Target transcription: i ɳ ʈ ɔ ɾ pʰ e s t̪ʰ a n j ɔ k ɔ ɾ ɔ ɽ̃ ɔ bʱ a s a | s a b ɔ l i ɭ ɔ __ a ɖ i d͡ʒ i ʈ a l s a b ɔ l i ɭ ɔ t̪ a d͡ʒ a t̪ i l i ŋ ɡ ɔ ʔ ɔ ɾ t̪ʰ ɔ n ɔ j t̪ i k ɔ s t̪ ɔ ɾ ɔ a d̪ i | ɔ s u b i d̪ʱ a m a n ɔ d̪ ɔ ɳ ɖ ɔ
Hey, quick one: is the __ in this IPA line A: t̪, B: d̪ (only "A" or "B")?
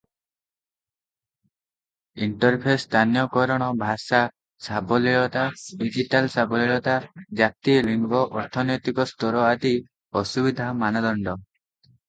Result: A